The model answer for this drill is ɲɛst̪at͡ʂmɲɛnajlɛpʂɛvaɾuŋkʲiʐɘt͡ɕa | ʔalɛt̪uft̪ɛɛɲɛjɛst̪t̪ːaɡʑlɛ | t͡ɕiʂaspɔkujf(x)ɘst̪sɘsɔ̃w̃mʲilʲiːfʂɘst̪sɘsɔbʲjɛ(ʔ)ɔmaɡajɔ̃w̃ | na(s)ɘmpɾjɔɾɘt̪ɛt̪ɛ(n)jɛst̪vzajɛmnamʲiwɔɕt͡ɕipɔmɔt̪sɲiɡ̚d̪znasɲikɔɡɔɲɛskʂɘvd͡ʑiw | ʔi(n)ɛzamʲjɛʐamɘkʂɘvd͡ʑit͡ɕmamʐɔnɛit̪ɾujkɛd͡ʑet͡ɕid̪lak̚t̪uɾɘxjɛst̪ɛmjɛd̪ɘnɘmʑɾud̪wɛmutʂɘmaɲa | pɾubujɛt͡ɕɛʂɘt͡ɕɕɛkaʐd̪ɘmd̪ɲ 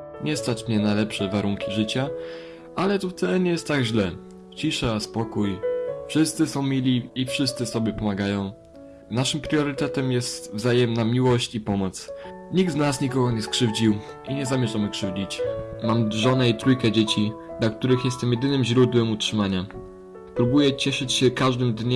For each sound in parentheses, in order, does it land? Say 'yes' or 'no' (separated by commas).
no, no, no, no, no